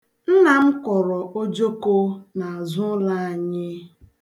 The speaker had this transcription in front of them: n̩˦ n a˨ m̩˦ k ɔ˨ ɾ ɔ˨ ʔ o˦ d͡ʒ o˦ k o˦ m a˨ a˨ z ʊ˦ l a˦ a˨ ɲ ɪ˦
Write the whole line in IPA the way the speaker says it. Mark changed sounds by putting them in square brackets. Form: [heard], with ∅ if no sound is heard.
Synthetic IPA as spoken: n̩˦ n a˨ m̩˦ k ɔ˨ ɾ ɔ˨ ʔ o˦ d͡ʒ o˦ k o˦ [n] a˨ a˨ z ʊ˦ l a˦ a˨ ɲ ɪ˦